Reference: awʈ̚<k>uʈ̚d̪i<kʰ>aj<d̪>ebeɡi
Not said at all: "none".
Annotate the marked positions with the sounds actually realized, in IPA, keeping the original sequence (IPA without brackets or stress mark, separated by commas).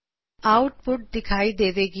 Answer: p, kʰ, d̪